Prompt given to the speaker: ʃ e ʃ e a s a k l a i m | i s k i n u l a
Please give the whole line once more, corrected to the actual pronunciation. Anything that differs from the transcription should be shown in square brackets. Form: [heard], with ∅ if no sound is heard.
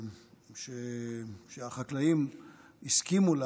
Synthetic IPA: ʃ e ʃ e a [χ] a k l a i m | i s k i [m] u l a